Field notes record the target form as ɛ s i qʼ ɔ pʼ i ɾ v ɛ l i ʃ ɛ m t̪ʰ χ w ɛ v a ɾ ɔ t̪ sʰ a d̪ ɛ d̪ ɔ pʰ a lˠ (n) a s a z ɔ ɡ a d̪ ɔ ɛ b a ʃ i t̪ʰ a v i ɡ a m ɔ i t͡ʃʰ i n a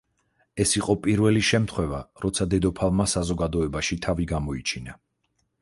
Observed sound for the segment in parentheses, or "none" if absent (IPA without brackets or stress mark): m